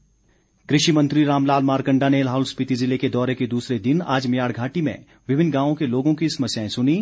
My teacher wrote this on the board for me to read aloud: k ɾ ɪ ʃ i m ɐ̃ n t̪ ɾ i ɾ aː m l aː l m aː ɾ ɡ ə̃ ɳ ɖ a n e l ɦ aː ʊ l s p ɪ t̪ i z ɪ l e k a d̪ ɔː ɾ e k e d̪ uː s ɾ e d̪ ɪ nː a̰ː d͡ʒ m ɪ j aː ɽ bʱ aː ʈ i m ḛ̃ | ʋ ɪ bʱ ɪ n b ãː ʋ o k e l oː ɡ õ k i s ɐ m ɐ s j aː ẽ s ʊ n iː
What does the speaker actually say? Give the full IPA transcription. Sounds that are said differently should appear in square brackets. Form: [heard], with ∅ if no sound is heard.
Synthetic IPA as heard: k ɾ ɪ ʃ i m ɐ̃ n t̪ ɾ i ɾ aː m l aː l m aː ɾ [k] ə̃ ɳ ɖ a n e l ɦ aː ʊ l s p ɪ t̪ i z ɪ l e k [e] d̪ ɔː ɾ e k e d̪ uː s ɾ e d̪ ɪ [n] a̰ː d͡ʒ m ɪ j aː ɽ [ɡʱ] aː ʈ i m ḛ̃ | ʋ ɪ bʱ ɪ n [ɡ] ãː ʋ [õ] k e l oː ɡ õ k i s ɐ m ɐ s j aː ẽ s ʊ n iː